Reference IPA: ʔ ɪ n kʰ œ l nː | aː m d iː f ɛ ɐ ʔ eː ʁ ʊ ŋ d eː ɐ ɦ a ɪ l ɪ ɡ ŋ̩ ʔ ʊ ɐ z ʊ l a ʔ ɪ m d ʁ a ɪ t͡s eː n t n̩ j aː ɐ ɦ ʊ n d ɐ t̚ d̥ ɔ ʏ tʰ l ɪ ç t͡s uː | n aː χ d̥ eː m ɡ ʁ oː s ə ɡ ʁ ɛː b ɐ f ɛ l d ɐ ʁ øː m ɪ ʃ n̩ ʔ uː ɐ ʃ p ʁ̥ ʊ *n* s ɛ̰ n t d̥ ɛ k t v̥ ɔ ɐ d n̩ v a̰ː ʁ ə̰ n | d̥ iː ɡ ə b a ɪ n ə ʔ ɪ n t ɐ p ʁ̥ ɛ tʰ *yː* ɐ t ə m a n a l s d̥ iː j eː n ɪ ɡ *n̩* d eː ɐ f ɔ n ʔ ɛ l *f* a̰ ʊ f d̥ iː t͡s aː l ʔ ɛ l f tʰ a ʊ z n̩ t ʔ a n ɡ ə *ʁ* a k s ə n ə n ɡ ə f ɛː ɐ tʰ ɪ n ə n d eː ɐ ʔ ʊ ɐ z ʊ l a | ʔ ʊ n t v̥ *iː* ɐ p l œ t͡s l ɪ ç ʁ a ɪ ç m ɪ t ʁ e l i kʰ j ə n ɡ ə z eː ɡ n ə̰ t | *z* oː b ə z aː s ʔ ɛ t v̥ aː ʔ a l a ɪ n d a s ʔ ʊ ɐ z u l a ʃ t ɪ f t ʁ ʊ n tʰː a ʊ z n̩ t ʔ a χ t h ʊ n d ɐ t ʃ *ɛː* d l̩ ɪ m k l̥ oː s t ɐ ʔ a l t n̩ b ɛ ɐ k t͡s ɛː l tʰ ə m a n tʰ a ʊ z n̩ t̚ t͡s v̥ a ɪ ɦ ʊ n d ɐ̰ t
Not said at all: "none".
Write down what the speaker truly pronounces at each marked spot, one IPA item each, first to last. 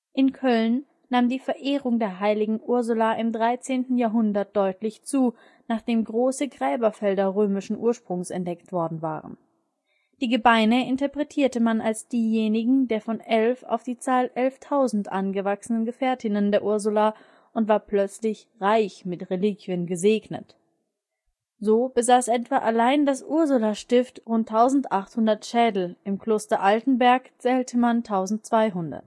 ŋ, iː, ŋ̩, f, v, aː, z, ɛː

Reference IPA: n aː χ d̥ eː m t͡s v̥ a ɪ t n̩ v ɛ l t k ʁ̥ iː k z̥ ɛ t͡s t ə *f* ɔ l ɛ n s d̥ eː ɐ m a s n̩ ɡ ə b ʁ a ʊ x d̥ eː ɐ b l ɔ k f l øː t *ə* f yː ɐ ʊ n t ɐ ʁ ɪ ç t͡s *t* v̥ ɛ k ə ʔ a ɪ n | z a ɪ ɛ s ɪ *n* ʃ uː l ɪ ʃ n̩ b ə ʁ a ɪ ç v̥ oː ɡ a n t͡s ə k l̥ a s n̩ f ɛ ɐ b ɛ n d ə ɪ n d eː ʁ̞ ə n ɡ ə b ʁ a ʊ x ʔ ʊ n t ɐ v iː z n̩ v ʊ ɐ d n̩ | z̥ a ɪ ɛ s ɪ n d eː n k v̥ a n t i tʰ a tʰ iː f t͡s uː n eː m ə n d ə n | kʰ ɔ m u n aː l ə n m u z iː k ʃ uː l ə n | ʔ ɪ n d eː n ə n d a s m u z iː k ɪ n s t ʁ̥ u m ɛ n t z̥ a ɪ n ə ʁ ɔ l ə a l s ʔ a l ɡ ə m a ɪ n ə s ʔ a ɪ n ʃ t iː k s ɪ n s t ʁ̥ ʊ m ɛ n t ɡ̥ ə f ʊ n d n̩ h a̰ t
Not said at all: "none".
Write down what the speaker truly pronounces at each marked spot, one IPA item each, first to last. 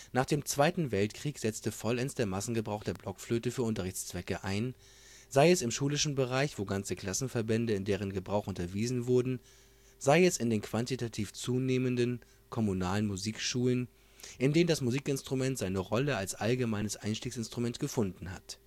f, ə, t͡s, m

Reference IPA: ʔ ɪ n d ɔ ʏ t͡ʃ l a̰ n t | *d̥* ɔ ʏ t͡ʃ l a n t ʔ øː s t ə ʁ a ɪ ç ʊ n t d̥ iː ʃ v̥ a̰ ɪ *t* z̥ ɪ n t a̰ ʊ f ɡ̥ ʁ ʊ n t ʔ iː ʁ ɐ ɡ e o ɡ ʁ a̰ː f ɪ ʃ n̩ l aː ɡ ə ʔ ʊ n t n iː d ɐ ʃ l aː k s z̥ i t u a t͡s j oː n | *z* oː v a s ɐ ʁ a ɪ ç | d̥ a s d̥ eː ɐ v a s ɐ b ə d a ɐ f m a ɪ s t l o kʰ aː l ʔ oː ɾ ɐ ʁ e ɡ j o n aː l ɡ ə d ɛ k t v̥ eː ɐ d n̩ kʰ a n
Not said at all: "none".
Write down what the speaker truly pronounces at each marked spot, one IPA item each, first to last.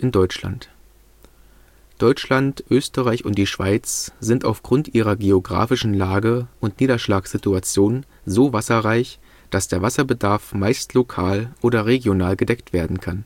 d̥, t͡s, z

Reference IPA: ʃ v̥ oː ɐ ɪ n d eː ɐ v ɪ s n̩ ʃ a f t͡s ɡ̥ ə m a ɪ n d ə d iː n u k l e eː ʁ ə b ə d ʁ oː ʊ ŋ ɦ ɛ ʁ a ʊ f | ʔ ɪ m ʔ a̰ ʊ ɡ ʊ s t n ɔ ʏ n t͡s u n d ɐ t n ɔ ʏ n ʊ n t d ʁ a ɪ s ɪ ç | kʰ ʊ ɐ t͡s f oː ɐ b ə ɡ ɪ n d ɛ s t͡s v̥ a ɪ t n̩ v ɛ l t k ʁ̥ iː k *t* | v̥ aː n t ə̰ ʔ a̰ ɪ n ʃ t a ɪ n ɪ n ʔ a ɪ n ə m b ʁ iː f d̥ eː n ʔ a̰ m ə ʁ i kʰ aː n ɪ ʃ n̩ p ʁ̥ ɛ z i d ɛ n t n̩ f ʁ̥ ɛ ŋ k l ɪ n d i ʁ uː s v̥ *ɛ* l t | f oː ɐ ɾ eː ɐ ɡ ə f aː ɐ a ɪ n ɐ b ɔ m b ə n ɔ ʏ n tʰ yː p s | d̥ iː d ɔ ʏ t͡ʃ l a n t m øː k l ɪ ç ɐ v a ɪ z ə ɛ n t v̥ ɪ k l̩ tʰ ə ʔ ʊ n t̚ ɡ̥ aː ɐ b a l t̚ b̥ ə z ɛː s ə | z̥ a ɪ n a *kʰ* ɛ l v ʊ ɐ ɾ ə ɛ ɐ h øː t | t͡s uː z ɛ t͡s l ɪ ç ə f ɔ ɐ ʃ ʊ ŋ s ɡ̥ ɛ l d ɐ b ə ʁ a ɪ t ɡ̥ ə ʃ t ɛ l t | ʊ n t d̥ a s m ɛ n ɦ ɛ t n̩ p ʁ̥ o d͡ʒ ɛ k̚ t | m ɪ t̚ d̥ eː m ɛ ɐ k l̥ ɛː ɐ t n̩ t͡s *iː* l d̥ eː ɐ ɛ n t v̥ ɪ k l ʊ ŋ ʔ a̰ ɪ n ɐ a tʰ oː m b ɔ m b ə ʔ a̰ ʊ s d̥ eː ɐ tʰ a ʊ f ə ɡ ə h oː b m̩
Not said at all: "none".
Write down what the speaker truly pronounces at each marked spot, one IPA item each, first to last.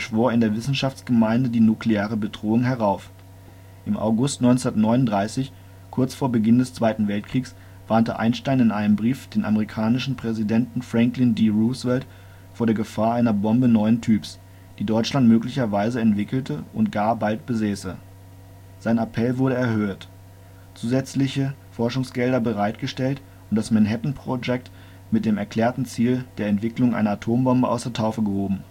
s, ɛ, pʰ, iː

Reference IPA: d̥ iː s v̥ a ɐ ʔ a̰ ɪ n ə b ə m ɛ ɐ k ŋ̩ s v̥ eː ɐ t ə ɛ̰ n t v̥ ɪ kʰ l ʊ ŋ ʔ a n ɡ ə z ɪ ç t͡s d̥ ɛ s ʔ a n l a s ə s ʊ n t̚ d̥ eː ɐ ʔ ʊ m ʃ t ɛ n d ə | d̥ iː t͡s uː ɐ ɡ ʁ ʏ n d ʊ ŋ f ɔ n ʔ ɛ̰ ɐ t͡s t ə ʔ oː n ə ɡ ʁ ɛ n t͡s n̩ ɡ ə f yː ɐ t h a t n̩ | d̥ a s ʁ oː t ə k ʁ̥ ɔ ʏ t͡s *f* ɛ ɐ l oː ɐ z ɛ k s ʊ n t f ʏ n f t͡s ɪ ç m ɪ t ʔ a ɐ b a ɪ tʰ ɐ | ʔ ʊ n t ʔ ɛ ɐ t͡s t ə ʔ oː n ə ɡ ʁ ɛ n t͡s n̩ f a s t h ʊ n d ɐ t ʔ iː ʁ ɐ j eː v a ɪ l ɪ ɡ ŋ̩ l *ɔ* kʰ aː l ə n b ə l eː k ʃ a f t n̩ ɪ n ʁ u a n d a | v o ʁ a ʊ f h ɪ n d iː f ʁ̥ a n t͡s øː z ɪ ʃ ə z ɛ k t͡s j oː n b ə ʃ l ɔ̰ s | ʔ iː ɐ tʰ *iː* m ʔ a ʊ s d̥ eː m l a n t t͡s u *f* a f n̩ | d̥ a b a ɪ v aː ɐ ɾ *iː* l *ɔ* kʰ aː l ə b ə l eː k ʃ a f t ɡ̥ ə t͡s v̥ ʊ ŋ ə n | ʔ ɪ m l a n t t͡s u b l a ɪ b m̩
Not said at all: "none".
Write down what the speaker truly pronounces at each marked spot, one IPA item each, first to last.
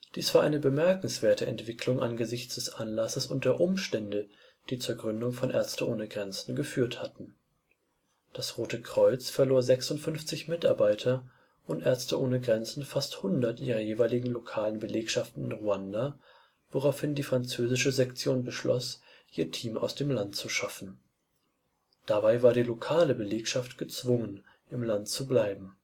f, o, iː, ʃ, iː, o

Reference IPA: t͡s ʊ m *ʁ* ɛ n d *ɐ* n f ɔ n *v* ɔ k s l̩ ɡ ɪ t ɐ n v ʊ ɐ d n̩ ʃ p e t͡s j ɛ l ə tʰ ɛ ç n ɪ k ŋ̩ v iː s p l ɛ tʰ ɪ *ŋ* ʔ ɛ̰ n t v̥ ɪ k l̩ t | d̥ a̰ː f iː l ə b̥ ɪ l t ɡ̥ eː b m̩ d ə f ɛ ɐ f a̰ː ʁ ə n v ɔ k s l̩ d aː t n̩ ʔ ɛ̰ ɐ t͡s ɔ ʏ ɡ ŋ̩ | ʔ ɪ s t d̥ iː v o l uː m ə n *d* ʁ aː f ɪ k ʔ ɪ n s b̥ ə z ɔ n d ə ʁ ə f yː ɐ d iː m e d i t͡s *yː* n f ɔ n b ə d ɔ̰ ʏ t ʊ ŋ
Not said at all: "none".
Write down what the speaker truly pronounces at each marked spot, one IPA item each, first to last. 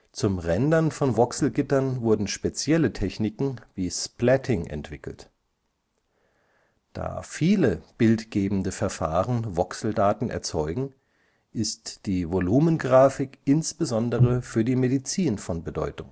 ʁ, ɐ, v, ŋ, ɡ, iː

